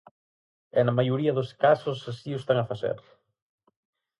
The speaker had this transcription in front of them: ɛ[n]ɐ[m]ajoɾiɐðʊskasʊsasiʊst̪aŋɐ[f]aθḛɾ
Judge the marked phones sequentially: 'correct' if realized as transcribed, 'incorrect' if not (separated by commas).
correct, correct, correct